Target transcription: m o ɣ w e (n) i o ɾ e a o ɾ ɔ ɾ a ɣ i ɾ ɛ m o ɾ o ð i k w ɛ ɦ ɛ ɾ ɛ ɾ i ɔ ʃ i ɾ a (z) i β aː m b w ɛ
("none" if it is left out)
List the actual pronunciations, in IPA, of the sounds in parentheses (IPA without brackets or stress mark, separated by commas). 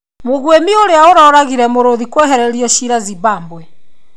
m, z